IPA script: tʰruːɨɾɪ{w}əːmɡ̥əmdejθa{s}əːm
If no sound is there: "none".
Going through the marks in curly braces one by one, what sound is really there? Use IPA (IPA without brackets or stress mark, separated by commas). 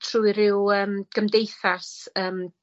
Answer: w, s